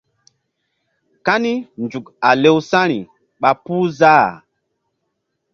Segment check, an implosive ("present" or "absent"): present